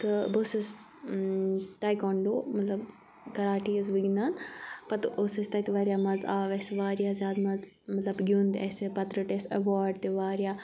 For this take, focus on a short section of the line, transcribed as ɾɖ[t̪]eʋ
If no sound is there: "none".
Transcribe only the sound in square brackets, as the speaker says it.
t̪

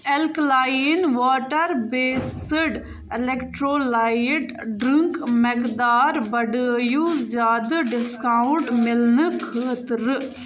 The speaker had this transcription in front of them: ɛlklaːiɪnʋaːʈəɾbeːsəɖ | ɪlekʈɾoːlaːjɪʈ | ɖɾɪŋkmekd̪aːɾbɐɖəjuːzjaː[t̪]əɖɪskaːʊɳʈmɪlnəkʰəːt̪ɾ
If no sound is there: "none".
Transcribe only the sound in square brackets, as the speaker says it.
d̪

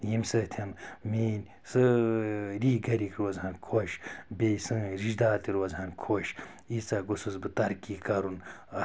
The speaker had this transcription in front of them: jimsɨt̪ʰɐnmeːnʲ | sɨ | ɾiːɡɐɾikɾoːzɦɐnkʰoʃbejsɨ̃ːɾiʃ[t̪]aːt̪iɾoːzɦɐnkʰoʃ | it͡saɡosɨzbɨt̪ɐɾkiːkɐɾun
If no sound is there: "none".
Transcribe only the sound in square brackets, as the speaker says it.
d̪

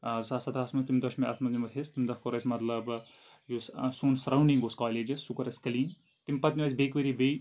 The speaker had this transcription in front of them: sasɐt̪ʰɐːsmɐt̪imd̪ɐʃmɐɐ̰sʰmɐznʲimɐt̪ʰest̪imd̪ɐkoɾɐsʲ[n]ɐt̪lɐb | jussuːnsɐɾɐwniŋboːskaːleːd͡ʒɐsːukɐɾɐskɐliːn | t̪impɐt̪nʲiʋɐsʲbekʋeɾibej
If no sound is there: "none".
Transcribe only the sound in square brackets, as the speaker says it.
m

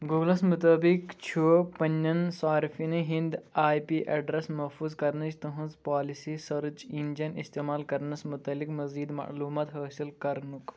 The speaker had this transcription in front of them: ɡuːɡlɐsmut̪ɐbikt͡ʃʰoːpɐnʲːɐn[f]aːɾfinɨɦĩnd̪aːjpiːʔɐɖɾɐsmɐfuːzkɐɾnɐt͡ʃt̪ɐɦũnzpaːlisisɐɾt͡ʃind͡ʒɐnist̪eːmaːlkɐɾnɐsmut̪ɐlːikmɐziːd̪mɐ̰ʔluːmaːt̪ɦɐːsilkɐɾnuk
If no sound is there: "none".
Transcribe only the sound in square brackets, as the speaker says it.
s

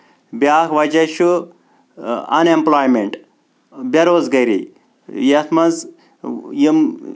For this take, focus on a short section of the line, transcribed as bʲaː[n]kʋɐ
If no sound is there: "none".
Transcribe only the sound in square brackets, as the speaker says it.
none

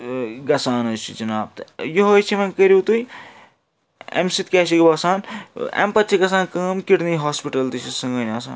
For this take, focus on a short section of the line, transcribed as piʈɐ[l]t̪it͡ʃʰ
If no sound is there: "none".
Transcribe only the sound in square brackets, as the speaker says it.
l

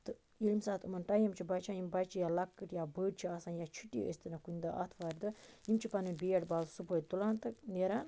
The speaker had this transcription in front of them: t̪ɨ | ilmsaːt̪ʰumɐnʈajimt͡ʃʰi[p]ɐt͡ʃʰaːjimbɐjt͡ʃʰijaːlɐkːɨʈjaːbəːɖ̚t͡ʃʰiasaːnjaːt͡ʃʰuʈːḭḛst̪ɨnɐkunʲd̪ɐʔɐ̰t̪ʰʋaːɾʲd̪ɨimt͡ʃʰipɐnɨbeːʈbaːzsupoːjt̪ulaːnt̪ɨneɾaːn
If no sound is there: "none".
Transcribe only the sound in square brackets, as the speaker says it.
b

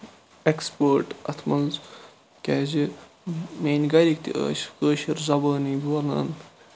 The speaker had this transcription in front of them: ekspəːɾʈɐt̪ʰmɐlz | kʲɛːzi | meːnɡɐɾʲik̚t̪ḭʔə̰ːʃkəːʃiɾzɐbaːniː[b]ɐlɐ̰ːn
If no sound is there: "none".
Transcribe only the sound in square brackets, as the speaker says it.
b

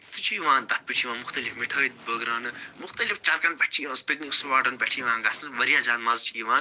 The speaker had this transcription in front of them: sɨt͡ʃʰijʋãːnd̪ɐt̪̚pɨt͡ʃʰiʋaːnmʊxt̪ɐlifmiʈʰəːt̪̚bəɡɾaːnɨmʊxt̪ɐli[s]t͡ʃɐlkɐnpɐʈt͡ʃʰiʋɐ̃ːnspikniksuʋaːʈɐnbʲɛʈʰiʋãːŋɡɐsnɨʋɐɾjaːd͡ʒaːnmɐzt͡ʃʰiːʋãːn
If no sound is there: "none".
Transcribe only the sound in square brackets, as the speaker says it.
f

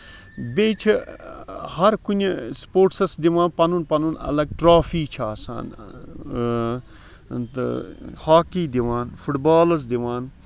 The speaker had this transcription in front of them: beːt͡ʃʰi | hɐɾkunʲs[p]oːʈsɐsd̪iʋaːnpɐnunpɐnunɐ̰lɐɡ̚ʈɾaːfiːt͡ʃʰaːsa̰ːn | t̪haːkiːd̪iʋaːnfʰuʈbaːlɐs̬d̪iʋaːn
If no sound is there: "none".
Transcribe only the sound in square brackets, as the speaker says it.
p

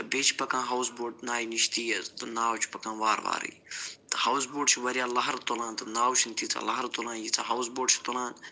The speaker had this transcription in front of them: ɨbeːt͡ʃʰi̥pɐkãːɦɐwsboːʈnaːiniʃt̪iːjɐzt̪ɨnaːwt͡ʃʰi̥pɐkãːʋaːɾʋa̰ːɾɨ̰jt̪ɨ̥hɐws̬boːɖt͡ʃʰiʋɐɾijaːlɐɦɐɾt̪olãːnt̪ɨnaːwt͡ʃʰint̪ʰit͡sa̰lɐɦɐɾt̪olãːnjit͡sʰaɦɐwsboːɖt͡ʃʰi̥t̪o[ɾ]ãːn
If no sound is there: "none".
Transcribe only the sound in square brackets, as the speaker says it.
l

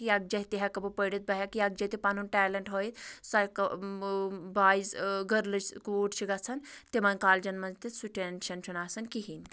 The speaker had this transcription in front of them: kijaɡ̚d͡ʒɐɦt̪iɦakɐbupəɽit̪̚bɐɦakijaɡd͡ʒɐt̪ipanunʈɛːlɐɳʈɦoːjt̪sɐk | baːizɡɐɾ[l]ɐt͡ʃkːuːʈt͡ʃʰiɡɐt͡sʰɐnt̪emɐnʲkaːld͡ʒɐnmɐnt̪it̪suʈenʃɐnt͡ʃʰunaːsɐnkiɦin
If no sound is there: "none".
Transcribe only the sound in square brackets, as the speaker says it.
l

